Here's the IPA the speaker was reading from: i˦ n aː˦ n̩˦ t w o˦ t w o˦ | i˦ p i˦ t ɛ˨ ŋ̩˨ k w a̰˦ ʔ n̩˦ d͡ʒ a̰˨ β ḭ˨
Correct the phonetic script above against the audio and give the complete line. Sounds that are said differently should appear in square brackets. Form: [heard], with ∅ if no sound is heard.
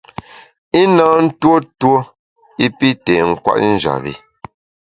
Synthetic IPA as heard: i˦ n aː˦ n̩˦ t w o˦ t w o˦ | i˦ p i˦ t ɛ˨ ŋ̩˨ k w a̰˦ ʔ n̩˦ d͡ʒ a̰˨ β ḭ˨